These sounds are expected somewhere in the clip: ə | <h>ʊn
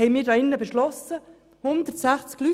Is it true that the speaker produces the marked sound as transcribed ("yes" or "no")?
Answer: yes